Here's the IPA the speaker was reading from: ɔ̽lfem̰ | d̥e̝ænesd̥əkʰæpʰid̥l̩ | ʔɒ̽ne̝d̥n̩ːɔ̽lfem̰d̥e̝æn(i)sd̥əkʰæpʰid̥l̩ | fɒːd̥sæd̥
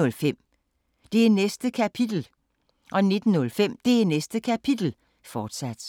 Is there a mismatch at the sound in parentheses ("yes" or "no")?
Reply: yes